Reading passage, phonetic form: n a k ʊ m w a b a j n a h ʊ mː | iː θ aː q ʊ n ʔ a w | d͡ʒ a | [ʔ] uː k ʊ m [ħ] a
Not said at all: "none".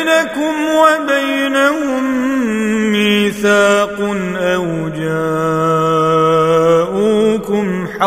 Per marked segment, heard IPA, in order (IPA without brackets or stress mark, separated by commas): ʔ, ħ